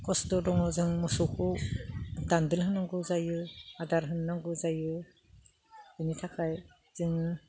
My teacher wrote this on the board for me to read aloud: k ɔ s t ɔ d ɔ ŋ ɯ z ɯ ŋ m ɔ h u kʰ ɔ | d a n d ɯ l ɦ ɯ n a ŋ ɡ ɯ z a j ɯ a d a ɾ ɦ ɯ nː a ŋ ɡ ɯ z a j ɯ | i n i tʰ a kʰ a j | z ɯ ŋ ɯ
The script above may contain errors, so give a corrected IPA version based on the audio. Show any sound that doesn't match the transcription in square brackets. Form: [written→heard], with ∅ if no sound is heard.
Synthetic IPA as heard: k ɔ s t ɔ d ɔ ŋ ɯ z ɯ ŋ m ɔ [h→s] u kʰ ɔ | d a n d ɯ l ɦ ɯ n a ŋ ɡ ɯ z a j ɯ a d a ɾ ɦ ɯ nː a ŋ ɡ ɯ z a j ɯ | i n i tʰ a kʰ a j | z ɯ ŋ ɯ